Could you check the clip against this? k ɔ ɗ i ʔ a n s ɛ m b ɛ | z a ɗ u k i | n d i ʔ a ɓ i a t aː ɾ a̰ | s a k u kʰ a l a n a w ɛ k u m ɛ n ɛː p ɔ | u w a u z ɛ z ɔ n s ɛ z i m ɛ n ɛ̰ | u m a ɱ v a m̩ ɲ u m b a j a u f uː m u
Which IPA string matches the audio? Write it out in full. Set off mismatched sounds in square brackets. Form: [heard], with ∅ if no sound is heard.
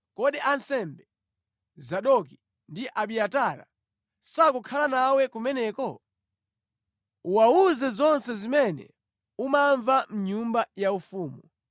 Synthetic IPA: k ɔ ɗ i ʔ a n s ɛ m b ɛ | z a ɗ [ɔ] k i | n d i ʔ a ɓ i a t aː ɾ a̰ | s a k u kʰ a l a n a w ɛ k u m ɛ n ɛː [k] ɔ | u w a u z ɛ z ɔ n s ɛ z i m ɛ n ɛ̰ | u m a ɱ v a m̩ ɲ u m b a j a u f uː m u